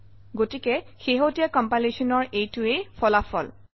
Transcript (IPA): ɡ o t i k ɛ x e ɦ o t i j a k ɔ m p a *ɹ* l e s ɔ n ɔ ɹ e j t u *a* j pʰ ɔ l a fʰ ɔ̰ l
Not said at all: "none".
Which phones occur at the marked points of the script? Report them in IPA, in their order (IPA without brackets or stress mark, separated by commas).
none, e